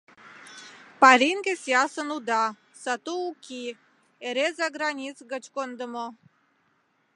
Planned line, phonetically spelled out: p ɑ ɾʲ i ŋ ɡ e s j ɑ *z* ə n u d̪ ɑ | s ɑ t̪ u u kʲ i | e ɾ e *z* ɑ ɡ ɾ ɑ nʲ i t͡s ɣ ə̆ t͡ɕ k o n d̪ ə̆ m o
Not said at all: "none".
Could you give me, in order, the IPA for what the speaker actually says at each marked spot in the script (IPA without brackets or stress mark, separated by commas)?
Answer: s, z